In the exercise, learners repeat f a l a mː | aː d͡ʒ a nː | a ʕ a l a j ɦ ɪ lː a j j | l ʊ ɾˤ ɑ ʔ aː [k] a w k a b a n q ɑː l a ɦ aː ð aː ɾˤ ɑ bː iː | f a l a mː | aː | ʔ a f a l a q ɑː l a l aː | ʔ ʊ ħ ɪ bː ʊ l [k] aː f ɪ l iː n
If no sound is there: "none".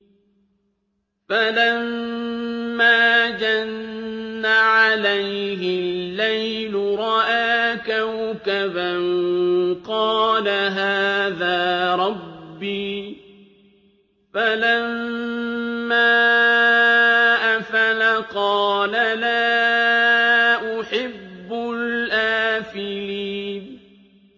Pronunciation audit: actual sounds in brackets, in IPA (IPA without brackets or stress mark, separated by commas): k, ʔ